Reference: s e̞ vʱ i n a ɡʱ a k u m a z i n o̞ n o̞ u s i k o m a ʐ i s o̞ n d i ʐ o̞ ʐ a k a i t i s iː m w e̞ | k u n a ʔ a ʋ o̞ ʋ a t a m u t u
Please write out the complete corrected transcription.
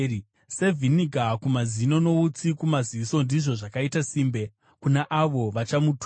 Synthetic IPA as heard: s e̞ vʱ i n i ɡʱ a k u m a z i n o̞ n o̞ u t͡s i k u m a z i s o̞ n d i ʐ o̞ ʐ a k a i t a s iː m b e̞ | k u n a ʔ a ʋ o̞ ʋ a t͡ʃ a m u t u